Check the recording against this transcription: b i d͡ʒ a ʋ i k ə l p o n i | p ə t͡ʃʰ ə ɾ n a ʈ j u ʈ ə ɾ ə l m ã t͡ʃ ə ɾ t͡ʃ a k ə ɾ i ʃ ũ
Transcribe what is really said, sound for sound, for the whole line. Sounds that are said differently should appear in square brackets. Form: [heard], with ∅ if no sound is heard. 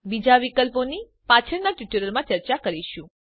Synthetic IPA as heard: b i d͡ʒ a ʋ i k ə l p o n i | p [a] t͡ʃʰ ə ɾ n a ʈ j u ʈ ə ɾ ə l m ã t͡ʃ ə ɾ t͡ʃ a k ə ɾ i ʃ ũ